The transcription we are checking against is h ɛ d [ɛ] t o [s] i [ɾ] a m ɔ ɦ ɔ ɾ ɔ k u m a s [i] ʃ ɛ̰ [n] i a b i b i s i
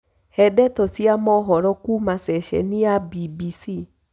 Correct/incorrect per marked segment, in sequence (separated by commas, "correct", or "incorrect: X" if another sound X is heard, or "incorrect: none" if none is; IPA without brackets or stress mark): correct, correct, incorrect: none, incorrect: ɛ, correct